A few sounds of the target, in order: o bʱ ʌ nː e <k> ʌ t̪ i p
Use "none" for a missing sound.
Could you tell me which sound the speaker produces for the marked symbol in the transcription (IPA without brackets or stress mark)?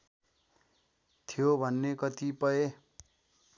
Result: k